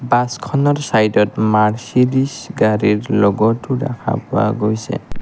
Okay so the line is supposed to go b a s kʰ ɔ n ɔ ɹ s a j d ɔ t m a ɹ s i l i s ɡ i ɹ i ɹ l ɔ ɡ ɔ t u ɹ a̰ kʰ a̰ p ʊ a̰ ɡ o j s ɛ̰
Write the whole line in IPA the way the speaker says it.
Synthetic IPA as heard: b a s kʰ ɔ n ɔ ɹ s a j d ɔ t m a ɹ s i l i s ɡ a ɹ i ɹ l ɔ ɡ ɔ t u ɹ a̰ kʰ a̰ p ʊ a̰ ɡ o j s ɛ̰